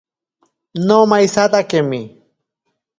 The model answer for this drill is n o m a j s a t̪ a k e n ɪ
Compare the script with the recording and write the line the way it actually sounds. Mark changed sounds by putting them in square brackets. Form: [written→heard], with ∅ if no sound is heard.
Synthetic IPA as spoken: n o m a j s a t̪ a k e [n→m] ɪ